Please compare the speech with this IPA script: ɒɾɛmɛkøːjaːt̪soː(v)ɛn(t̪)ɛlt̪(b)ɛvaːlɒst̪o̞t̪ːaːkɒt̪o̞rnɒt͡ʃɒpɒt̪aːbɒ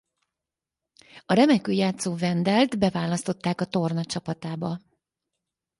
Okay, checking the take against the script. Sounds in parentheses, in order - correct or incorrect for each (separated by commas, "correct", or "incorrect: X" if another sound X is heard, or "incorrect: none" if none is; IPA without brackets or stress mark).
correct, incorrect: d̪, correct